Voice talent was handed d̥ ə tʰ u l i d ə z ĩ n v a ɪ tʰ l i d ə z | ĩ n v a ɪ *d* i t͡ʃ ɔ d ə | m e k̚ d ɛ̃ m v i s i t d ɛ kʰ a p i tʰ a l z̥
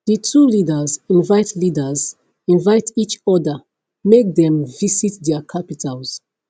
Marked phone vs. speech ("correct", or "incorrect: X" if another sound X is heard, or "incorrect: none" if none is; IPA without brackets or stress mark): incorrect: t